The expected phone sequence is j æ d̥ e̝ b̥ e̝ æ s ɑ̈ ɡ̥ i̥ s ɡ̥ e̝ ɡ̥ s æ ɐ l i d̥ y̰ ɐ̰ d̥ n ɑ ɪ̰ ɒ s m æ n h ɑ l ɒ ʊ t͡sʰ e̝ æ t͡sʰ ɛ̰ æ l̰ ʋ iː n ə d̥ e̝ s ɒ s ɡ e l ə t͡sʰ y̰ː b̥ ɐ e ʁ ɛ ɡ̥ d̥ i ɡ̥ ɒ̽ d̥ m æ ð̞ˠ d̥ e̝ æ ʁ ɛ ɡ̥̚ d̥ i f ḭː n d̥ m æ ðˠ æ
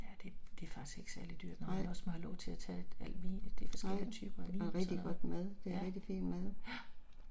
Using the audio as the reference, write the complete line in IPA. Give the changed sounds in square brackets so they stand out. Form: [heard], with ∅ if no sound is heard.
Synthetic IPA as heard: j æ d̥ e̝ [d̥] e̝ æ [f] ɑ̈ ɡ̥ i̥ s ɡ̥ e̝ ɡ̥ s æ ɐ l i d̥ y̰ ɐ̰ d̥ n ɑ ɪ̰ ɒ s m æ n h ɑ l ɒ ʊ t͡sʰ e̝ æ t͡sʰ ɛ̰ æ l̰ ʋ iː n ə d̥ e̝ [f] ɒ s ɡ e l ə t͡sʰ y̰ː b̥ ɐ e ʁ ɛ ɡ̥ d̥ i ɡ̥ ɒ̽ d̥ m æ ð̞ˠ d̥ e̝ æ ʁ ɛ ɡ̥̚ d̥ i f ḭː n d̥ m æ ðˠ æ